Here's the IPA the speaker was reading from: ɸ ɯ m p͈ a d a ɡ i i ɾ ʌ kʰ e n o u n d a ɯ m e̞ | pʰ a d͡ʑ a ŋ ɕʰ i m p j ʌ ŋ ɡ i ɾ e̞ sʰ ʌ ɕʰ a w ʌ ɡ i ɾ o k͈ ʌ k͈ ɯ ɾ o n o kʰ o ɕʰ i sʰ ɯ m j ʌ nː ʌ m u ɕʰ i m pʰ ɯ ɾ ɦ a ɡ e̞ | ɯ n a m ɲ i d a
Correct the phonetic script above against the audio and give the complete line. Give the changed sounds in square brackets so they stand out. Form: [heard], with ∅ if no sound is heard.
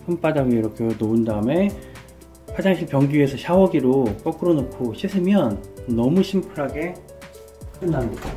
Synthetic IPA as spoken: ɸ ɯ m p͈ a d a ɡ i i ɾ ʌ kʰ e n o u n d a ɯ m e̞ | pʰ a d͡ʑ a ŋ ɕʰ i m p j ʌ ŋ ɡ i [∅] e̞ sʰ ʌ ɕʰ a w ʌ ɡ i ɾ o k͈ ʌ k͈ ɯ ɾ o n o kʰ o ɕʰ i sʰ ɯ m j ʌ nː ʌ m u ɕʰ i m pʰ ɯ ɾ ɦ a ɡ e̞ | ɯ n a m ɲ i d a